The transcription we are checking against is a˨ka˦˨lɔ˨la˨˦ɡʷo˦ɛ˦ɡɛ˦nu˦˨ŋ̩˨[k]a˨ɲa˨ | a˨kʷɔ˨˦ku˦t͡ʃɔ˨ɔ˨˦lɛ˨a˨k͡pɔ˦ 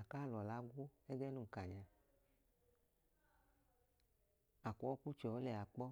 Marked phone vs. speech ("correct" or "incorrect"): correct